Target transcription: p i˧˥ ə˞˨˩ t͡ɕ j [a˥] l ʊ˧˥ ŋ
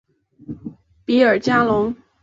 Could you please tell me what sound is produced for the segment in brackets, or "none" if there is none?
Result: a˥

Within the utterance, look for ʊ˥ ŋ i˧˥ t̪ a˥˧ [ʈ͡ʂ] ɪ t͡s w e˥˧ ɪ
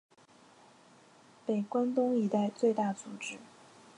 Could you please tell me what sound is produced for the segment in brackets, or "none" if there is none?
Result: none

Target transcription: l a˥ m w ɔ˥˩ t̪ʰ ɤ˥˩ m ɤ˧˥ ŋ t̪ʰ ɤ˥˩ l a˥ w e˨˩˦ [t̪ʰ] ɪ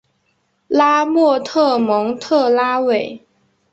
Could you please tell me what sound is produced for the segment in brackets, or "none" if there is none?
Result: none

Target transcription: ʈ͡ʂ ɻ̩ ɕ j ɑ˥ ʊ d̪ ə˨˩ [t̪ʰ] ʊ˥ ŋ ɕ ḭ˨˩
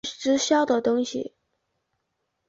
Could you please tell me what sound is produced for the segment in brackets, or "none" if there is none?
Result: t̪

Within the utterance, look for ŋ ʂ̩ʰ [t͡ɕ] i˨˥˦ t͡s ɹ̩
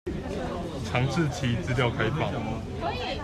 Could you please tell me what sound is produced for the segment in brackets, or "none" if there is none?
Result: t͡ɕʰ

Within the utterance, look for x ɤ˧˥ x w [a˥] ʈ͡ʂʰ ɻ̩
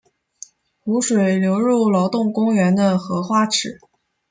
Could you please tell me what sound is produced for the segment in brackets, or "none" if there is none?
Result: a˥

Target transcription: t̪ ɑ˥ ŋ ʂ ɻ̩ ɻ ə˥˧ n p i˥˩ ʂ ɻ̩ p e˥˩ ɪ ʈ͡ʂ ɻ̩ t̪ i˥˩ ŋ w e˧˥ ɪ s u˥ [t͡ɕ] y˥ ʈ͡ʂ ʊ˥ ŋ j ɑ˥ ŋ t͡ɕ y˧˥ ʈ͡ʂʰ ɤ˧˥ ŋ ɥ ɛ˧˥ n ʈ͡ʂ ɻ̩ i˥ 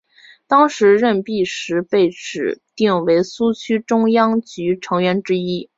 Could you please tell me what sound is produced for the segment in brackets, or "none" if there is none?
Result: t͡ɕʰ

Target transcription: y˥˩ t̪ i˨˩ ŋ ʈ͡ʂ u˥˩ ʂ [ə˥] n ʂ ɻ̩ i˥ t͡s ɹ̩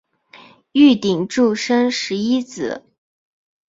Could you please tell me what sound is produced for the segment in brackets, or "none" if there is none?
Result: ə˥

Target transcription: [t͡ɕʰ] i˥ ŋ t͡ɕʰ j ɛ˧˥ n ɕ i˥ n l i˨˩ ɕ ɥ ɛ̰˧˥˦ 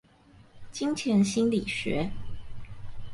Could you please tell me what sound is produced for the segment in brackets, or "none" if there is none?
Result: t͡ɕ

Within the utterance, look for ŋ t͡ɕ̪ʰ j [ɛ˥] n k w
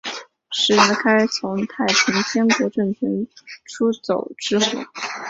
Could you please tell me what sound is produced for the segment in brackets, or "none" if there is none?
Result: ɛ˥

